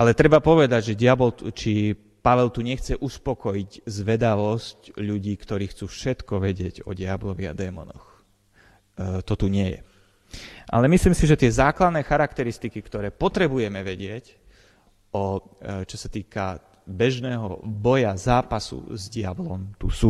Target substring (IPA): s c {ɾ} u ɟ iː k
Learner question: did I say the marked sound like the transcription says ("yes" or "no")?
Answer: no